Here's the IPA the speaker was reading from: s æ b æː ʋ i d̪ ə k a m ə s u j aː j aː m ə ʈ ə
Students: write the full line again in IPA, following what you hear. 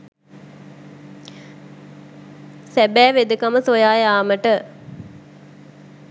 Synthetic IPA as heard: s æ b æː ʋ e d̪ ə k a m ə s o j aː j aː m ə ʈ ə